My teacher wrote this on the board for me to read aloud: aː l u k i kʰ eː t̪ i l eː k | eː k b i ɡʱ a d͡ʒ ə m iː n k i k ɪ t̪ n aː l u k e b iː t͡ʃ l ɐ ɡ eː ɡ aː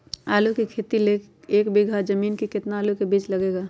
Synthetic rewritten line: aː l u k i kʰ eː t̪ i l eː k | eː k b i ɡʱ a d͡ʒ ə m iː n k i k ɪ t̪ n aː l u k e b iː t͡ʃ l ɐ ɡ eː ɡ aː

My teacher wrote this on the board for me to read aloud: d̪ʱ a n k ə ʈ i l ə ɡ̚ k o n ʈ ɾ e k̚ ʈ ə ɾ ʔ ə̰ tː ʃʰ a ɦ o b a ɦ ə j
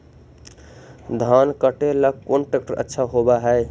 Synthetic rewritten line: d̪ʱ a n k ə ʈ e l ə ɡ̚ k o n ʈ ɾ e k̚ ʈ ə ɾ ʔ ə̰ tː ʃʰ a ɦ o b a ɦ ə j

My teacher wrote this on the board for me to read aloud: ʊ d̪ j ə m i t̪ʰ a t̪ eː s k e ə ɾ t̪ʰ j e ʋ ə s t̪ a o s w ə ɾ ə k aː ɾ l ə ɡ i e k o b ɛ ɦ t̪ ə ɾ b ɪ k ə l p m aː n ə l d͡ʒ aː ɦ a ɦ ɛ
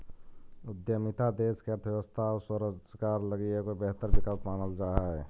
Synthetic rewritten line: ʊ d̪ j ə m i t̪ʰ a d̪ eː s k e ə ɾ t̪ʰ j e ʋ ə s t̪ʰ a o s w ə ɾ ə k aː ɾ l ə ɡ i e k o b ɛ ɦ t̪ ə ɾ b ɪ k ə l p m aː n ə l d͡ʒ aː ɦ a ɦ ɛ

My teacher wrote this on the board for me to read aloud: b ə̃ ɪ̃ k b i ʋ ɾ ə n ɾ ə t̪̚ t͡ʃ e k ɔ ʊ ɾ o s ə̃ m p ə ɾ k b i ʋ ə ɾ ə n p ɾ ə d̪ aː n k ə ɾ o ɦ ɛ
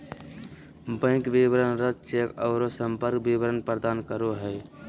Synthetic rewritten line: b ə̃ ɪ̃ k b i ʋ ɾ ə n ɾ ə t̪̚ t͡ʃ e k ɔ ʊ ɾ o s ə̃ m p ə ɾ k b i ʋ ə ɾ ə n p ɾ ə d̪ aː n k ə ɾ o ɦ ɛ

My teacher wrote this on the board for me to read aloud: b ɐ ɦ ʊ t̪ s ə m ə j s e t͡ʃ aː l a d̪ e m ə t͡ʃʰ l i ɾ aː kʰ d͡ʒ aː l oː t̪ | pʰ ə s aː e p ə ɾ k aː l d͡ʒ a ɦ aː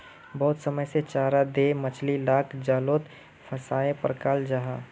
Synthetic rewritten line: b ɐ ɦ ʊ t̪ s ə m ə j s e t͡ʃ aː ɾ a d̪ e m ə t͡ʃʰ l i l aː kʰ d͡ʒ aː l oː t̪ | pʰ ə s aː e p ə ɾ k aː l d͡ʒ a ɦ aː

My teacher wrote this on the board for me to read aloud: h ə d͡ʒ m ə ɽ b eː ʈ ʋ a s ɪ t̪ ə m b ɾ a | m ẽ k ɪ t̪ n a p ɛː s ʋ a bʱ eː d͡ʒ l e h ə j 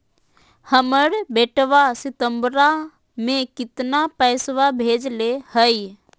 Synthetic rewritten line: h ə m ə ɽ b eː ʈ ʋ a s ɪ t̪ ə m b ɾ a | m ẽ k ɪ t̪ n a p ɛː s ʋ a bʱ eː d͡ʒ l e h ə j

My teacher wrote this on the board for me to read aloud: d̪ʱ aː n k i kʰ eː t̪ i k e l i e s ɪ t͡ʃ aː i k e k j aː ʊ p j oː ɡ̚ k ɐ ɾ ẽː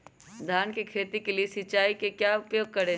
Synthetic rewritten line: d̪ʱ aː n k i kʰ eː t̪ i k e l i e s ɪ t͡ʃ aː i k e k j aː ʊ p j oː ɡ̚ k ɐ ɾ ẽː

